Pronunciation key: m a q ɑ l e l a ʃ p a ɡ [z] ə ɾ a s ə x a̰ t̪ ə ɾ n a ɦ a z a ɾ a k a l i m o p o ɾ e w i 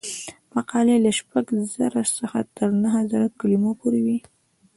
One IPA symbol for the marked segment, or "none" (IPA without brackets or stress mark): z